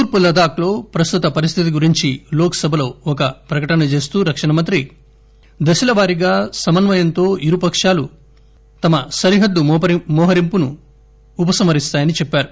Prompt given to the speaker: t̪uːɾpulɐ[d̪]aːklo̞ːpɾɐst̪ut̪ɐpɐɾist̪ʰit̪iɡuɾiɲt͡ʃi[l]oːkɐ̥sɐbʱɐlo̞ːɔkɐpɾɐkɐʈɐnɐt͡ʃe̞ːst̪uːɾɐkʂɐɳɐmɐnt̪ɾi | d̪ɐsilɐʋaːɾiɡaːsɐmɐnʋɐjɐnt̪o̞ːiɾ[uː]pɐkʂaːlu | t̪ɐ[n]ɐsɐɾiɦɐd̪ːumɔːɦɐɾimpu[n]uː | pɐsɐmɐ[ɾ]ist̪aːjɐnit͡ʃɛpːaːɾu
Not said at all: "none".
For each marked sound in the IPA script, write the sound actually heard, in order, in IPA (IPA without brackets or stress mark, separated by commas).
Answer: d̪, l, u, m, n, ɾ